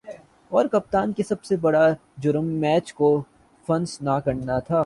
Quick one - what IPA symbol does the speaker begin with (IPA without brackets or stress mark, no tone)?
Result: ɔː